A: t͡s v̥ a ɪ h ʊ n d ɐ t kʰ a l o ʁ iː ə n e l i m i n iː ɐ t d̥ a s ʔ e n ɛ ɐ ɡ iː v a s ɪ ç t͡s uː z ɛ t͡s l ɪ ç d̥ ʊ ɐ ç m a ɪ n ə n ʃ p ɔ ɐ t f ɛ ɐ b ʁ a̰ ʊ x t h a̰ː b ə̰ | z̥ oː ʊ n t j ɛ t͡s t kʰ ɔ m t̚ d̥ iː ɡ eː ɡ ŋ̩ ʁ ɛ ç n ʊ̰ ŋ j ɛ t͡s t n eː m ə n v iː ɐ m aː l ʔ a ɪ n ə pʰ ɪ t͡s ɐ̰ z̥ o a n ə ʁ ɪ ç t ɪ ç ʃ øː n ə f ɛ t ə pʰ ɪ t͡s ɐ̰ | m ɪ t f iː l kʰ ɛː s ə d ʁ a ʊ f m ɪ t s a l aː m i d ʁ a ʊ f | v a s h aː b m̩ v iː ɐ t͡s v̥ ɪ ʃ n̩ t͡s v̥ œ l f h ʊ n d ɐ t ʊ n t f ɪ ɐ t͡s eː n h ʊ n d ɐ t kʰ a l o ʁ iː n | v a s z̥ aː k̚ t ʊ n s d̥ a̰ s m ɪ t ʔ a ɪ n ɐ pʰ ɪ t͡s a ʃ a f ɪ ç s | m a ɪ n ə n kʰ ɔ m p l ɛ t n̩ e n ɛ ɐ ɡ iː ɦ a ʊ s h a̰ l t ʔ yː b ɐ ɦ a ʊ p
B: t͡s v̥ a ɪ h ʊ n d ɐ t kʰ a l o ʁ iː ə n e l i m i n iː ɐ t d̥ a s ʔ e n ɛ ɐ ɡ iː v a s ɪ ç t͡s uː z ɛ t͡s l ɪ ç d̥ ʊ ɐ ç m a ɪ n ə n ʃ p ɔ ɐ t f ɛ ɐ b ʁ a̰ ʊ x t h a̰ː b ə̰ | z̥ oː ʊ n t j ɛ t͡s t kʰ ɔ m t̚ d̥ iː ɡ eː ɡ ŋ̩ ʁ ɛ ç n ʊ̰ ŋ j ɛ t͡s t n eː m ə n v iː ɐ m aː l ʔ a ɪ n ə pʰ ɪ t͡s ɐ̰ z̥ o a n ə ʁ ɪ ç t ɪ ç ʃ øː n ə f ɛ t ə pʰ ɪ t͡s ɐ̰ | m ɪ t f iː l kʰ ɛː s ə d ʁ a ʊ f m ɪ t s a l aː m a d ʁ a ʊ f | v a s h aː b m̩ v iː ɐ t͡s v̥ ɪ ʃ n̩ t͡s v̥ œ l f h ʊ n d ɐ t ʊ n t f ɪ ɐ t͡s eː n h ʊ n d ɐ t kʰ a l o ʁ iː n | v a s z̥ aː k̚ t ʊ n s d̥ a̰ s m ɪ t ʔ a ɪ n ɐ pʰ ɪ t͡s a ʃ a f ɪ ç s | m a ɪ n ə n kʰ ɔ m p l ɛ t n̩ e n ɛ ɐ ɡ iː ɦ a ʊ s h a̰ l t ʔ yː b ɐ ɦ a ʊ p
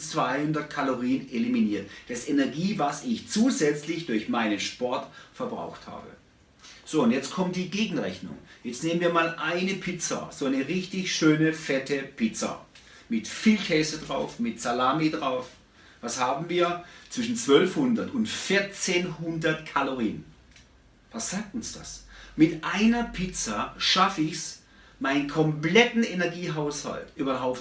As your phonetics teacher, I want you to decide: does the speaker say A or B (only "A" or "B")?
A